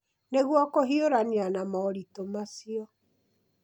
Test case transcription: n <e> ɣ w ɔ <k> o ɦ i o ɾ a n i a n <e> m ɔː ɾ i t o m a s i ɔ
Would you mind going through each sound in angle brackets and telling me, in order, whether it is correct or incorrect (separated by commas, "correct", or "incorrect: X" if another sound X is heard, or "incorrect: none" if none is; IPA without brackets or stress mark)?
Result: correct, correct, incorrect: a